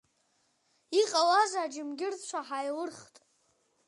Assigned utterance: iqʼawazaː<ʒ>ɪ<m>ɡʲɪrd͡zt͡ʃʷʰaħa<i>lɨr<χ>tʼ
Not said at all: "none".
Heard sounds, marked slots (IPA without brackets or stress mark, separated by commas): d͡ʒ, m, j, χ